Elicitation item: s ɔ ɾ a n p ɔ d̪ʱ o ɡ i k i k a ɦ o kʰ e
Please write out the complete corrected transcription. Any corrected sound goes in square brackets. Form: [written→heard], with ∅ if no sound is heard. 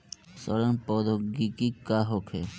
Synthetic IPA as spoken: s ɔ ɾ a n p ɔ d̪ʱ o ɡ i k i k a ɦ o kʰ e